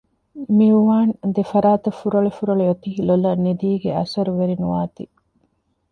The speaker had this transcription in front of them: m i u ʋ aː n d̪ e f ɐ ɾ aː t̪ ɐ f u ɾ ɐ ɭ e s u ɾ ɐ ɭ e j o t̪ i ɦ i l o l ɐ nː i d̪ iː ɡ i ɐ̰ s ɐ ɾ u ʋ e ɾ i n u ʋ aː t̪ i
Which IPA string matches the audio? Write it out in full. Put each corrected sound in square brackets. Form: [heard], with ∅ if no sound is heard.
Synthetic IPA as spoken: m i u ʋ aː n d̪ e f ɐ ɾ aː t̪ ɐ f u ɾ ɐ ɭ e [f] u ɾ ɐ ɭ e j o t̪ i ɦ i l o l ɐ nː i d̪ iː ɡ [e] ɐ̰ s ɐ ɾ u ʋ e ɾ i n u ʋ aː t̪ i